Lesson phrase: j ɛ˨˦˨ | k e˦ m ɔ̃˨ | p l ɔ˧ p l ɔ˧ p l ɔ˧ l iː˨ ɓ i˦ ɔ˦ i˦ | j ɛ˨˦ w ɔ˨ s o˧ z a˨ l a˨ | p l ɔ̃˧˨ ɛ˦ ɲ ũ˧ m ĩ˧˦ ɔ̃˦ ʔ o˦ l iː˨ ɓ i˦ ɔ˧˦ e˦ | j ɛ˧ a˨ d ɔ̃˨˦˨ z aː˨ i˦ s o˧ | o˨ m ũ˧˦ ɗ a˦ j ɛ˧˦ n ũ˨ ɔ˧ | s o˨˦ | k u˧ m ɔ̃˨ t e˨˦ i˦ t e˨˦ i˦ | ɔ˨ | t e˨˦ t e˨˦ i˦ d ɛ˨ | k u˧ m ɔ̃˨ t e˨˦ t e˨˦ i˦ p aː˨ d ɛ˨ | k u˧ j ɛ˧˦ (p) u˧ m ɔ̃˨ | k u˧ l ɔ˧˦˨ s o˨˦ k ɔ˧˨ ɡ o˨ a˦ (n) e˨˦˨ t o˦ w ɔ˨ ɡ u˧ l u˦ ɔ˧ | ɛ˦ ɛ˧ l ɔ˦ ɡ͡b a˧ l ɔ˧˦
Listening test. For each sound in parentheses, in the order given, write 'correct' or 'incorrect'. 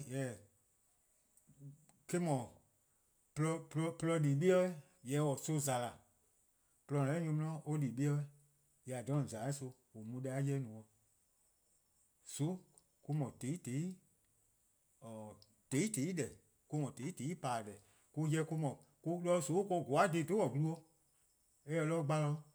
incorrect, incorrect

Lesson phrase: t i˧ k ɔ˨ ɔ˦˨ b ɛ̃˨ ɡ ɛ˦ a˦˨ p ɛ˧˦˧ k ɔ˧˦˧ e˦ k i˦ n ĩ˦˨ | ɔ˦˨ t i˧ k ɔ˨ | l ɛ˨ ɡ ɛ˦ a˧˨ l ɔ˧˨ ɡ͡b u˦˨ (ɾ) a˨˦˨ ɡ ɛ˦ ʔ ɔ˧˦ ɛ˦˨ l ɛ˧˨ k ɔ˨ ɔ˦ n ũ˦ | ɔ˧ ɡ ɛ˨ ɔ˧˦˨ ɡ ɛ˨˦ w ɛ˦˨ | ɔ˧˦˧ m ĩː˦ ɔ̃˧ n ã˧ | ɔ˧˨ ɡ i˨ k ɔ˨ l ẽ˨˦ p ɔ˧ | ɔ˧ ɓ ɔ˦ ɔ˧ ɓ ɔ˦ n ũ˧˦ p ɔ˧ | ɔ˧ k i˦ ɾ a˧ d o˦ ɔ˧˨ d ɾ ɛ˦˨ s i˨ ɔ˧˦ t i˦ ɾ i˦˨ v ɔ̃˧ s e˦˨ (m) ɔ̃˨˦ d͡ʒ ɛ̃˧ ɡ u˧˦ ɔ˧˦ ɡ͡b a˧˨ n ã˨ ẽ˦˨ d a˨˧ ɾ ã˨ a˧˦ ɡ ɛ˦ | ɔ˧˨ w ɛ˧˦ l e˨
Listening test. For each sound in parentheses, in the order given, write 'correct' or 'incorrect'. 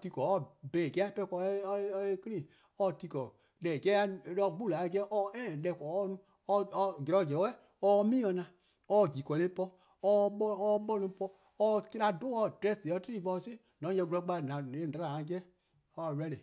incorrect, incorrect

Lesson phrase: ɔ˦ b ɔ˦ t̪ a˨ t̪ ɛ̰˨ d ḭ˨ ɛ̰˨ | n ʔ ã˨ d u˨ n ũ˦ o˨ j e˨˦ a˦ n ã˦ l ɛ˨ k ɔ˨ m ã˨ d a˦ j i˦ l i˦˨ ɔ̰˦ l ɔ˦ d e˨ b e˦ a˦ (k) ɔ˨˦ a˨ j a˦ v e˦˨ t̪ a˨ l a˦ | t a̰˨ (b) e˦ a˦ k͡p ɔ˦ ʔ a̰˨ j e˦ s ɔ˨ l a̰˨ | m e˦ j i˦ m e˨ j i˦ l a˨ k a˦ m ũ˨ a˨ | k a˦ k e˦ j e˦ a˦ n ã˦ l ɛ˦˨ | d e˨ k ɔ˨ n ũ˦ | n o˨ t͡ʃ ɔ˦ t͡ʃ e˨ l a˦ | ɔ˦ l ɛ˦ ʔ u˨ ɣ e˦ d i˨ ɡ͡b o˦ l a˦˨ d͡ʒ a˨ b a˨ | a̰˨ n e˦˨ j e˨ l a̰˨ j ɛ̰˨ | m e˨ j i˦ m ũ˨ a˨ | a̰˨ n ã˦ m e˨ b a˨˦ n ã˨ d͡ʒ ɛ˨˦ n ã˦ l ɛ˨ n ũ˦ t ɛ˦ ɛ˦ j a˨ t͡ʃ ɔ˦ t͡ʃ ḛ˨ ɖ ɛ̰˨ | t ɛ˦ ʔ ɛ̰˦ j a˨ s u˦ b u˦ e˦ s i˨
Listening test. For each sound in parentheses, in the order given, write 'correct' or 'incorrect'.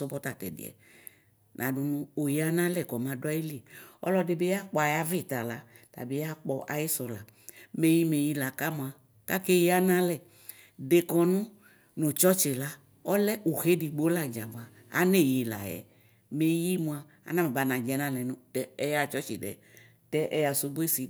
incorrect, correct

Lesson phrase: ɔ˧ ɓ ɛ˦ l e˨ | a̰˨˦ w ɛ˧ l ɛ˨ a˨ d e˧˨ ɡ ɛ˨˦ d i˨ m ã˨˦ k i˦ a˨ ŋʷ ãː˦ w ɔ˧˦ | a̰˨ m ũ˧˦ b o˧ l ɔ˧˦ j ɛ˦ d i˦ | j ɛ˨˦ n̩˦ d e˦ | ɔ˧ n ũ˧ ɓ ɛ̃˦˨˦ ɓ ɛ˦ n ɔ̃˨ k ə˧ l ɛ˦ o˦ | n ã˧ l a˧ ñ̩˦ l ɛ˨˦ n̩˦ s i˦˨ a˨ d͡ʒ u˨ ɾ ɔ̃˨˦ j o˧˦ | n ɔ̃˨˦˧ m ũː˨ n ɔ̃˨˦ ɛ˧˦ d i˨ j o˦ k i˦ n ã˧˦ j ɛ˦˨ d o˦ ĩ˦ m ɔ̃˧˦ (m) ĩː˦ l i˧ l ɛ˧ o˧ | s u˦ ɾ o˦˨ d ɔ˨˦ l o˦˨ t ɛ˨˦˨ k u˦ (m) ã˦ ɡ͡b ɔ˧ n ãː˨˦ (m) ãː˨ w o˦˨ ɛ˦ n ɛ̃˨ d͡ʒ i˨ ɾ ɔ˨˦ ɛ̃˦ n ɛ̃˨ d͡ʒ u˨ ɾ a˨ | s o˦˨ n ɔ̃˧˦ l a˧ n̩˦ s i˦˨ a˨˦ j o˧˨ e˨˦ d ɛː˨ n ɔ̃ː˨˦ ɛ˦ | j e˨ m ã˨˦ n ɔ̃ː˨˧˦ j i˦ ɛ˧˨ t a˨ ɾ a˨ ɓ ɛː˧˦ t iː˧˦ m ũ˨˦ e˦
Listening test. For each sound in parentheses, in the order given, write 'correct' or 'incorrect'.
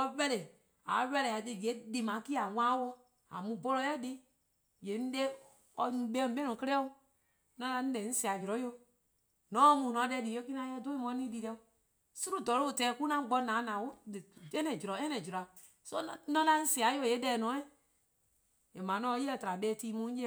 incorrect, incorrect, incorrect

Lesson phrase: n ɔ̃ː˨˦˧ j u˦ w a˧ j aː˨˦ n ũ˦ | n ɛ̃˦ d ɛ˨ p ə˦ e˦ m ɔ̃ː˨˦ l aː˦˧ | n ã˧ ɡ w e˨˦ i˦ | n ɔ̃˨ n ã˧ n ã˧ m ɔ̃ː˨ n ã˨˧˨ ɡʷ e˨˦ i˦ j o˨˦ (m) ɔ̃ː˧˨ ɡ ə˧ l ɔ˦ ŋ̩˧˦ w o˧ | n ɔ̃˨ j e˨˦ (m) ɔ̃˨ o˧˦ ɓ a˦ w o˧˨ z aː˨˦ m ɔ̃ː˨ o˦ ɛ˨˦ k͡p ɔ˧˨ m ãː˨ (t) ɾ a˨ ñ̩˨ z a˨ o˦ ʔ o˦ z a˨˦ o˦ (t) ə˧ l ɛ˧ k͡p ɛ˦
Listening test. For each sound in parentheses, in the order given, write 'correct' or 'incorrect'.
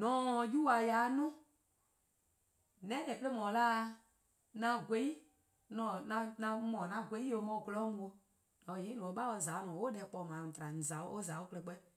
correct, incorrect, correct, incorrect

